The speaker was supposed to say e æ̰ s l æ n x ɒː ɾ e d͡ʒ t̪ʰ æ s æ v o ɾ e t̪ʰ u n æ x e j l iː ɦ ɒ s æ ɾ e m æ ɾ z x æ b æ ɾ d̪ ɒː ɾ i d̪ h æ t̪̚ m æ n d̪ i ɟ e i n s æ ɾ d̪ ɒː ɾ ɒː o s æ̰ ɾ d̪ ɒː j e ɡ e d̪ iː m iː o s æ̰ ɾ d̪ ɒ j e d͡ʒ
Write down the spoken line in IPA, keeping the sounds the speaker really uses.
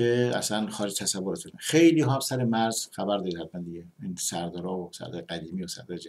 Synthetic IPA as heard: e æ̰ s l æ n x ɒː ɾ e d͡ʒ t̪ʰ æ s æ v o ɾ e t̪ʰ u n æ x e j l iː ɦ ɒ s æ ɾ e m æ ɾ z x æ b æ ɾ d̪ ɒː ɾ i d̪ h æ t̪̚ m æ n d̪ i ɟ e i n s æ ɾ d̪ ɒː ɾ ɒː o s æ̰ ɾ d̪ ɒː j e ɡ æ d̪ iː m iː o s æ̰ ɾ d̪ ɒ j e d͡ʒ